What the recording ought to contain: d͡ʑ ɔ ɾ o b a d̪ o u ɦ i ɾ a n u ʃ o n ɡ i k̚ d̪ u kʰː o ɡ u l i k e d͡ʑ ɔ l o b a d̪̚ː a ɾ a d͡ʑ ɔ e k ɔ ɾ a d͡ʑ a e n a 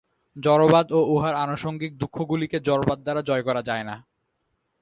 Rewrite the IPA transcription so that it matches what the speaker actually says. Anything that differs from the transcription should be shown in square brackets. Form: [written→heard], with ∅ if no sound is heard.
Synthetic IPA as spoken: d͡ʑ ɔ ɾ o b a d̪ o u ɦ [i→a] ɾ a n [u→o] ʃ o [n→ŋ] ɡ i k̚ d̪ u kʰː o ɡ u l i k e d͡ʑ ɔ [l→ɾ] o b a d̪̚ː a ɾ a d͡ʑ ɔ e k ɔ ɾ a d͡ʑ a e n a